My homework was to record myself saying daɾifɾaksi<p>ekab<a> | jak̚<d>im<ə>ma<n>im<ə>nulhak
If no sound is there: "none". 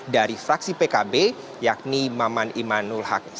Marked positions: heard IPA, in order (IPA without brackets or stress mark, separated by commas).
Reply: p, e, n, a, n, a